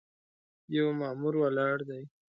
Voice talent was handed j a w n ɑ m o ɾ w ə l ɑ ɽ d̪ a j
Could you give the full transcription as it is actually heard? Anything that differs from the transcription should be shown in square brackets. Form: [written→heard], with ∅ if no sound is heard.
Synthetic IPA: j a w [n→m] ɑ m [o→u] ɾ w [ə→a] l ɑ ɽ d̪ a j